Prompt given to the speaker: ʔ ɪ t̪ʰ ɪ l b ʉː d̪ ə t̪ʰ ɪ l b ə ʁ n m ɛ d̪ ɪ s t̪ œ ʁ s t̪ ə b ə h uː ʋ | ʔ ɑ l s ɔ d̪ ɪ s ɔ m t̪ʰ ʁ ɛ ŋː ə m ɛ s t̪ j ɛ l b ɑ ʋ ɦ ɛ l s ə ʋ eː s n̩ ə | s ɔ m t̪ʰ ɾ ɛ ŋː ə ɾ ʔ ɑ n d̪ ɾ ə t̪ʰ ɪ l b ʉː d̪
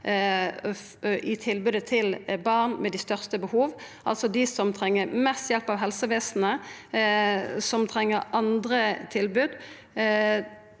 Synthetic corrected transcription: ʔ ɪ t̪ʰ ɪ l b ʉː d̪ ə t̪ʰ ɪ l b ɑ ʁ n m ɛ d̪ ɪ s t̪ œ ʁ s t̪ ə b ə h uː ʋ | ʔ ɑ l s ɔ d̪ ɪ s ɔ m t̪ʰ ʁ ɛ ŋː ə m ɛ s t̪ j ɛ l p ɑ ʋ ɦ ɛ l s ə ʋ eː s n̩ ə | s ɔ m t̪ʰ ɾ ɛ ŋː ə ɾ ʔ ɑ n d̪ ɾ ə t̪ʰ ɪ l b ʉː d̪